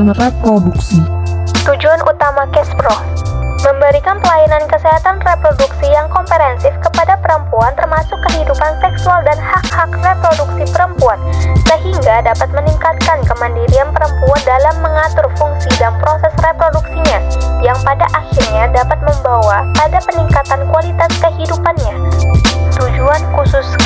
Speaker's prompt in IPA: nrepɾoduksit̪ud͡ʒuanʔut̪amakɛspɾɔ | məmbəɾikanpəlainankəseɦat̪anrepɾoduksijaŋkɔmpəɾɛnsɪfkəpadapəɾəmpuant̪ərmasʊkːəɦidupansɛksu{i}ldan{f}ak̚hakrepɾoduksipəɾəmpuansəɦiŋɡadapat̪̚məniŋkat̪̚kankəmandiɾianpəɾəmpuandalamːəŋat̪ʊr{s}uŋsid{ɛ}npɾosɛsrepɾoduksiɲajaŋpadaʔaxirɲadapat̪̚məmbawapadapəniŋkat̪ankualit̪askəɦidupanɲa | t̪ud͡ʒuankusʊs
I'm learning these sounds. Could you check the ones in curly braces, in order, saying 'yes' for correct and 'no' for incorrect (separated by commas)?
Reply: no, no, no, no